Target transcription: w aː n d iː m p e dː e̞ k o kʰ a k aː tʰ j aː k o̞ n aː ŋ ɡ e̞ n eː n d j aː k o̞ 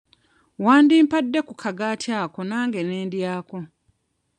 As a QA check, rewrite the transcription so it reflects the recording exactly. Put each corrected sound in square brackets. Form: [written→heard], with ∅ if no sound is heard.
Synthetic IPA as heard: w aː n d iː m p [e→a] dː e̞ k [o→u] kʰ a [k→ɡ] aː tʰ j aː k o̞ n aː ŋ ɡ e̞ n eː n d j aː k o̞